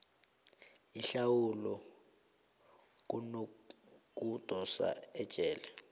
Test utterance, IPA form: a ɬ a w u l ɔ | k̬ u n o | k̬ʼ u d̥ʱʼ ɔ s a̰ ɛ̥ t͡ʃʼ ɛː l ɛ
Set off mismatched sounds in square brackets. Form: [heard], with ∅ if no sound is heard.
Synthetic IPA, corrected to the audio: [i] ɬ a w u l ɔ | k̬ u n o | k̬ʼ u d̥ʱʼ ɔ s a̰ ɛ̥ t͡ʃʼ ɛː l ɛ